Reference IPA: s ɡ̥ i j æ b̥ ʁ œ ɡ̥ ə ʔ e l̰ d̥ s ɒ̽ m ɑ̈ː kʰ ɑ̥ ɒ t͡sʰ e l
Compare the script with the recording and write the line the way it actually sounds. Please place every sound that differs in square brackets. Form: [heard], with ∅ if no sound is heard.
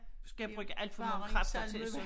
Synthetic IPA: s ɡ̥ [æ] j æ b̥ ʁ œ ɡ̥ ə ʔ [æ] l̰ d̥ [f] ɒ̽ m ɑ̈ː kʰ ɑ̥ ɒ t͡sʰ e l